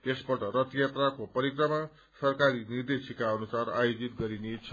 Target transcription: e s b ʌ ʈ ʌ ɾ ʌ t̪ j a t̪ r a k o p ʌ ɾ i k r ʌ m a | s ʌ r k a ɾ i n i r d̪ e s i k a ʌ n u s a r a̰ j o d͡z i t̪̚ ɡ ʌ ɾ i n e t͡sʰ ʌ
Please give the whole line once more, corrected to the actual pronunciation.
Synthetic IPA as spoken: e s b ʌ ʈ ʌ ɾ ʌ t̪ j a t̪ r a k o p ʌ ɾ i k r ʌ m a | s ʌ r k a ɾ i n i r d̪ e s i k a ʌ n u s a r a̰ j o d͡z i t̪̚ ɡ ʌ ɾ i n e t͡sʰ ʌ